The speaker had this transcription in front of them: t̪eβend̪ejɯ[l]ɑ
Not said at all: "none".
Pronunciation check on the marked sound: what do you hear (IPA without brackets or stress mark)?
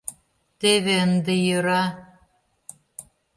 ɾ